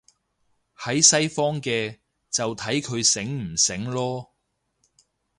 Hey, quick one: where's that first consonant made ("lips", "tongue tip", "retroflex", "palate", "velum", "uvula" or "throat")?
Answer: throat